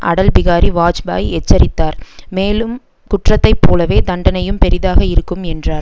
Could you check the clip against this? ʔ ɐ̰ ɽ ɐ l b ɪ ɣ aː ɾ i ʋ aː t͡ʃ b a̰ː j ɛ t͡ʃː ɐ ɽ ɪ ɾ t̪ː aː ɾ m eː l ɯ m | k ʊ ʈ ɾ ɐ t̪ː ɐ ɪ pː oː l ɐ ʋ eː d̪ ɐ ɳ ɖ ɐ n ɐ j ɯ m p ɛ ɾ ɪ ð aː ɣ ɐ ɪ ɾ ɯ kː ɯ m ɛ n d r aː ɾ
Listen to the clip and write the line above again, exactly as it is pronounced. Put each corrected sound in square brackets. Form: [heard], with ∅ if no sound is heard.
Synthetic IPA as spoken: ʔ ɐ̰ ɽ ɐ l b ɪ ɣ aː ɾ i ʋ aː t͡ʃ b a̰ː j ɛ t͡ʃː ɐ [ɾ] ɪ [∅] t̪ː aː ɾ m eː l ɯ m | k ʊ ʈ [r] ɐ t̪ː ɐ ɪ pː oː l ɐ ʋ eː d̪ ɐ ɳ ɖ ɐ n ɐ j ɯ m p ɛ ɾ ɪ ð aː ɣ ɐ ɪ ɾ ɯ kː ɯ m ɛ n d r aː ɾ